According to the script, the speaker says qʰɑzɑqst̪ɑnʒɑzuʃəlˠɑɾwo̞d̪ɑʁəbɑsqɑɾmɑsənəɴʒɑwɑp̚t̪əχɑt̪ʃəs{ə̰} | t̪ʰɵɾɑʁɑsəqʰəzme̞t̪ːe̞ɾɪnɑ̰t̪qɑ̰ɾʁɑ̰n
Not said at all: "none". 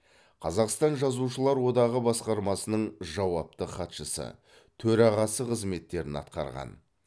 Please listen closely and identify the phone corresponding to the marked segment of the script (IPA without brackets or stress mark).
ə̰